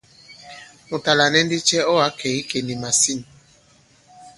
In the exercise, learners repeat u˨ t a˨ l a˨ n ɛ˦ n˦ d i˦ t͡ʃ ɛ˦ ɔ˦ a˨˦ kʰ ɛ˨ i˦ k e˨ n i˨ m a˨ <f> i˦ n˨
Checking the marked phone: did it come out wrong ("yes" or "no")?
yes